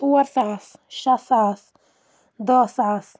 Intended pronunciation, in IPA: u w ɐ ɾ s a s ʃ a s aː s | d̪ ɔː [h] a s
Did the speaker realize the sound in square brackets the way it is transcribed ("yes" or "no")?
no